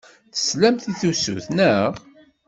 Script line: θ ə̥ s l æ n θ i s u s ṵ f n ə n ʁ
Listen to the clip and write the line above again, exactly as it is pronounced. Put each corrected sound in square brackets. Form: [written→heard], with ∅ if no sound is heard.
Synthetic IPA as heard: θ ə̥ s l æ [n→m] θ i [s→θ] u s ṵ [f→θ] n ə [n→∅] ʁ